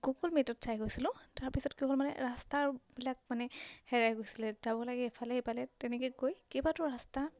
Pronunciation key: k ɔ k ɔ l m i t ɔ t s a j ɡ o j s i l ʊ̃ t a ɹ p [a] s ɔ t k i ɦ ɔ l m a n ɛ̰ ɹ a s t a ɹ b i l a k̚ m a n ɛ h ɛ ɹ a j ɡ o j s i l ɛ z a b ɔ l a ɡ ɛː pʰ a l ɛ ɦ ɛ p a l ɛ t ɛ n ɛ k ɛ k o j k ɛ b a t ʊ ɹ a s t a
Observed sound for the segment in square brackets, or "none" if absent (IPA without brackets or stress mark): i